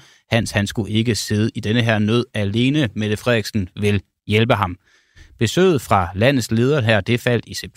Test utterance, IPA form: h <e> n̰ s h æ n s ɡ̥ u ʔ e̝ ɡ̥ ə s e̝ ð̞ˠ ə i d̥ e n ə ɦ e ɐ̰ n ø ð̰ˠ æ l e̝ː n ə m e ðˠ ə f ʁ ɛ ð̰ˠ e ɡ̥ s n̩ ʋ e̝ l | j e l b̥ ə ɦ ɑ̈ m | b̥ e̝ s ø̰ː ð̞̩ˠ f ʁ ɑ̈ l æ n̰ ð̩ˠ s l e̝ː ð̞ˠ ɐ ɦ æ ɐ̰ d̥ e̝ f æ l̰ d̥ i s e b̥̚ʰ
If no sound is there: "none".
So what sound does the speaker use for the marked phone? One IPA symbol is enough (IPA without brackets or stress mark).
æ